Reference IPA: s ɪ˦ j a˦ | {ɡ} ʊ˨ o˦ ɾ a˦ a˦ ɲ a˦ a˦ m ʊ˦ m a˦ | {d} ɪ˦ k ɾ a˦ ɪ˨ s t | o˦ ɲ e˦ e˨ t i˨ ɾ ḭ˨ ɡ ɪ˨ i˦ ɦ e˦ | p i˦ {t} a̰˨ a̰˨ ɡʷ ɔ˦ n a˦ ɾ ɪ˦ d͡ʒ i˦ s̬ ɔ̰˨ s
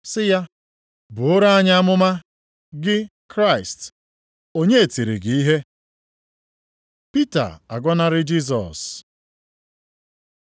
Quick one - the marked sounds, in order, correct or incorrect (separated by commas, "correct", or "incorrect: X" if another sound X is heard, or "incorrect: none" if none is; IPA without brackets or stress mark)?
incorrect: b, incorrect: ɡ, correct